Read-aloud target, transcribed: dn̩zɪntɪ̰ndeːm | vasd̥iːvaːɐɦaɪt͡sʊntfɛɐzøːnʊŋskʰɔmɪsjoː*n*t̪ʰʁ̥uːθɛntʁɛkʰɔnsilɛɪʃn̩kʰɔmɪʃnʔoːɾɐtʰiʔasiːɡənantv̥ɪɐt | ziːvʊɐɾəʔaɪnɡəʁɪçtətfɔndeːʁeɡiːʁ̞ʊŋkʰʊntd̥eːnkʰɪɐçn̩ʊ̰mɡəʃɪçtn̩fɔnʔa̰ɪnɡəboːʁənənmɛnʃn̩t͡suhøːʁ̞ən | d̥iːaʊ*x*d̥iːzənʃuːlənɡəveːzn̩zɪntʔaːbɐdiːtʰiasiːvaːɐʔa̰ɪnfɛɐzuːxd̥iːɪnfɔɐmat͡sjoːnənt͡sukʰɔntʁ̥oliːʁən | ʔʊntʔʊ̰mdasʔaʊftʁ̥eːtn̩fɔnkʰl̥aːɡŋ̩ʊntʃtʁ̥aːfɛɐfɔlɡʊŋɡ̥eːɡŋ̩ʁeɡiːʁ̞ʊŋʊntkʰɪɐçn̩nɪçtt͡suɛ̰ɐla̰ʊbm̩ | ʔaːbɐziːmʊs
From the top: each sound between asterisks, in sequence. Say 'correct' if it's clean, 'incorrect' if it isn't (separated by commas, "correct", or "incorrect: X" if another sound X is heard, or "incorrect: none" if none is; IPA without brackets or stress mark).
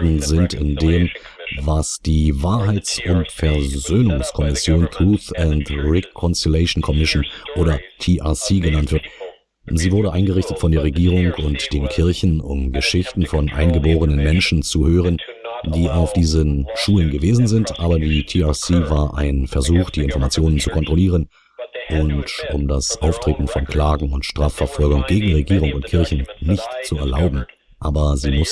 correct, incorrect: f